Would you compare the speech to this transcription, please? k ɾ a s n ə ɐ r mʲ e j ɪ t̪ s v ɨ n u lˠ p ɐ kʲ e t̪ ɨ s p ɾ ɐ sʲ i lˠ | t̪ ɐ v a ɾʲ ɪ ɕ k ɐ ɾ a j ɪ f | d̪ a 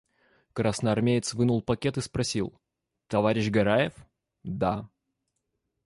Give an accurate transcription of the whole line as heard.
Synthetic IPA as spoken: k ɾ a s n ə ɐ r mʲ e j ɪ t̪ s v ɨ n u lˠ p ɐ kʲ e t̪ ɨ s p ɾ ɐ sʲ i lˠ | t̪ ɐ v a ɾʲ ɪ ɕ ɡ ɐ ɾ a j ɪ f | d̪ a